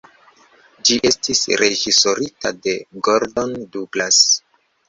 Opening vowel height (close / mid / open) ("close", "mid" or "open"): close